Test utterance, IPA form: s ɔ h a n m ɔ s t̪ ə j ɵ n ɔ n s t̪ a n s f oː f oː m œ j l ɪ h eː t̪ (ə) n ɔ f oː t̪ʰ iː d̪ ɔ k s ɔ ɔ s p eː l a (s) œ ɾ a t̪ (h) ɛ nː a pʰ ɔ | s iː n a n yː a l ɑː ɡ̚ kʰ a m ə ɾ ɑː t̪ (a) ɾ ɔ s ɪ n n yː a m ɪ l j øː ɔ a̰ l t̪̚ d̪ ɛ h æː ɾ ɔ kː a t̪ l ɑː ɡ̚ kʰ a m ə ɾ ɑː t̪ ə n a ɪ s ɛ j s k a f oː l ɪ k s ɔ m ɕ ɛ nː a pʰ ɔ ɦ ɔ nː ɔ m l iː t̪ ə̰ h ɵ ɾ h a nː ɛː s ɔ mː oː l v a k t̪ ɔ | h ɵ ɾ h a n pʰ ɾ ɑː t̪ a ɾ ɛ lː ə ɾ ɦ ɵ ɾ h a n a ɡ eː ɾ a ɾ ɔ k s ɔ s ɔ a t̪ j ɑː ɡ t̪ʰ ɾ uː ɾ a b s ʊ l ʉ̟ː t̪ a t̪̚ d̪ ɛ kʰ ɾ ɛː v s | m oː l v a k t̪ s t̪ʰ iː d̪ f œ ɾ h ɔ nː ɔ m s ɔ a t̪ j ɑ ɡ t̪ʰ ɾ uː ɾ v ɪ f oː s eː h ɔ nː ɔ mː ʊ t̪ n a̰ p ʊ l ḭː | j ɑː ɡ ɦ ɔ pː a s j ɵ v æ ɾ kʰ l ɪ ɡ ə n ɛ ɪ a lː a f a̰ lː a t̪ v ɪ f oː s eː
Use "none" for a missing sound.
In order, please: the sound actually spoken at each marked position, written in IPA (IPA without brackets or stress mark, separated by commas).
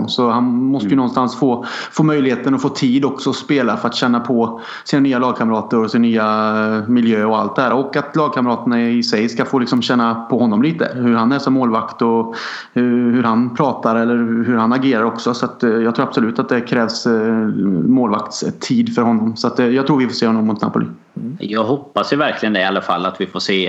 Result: ə, f, ɕ, ə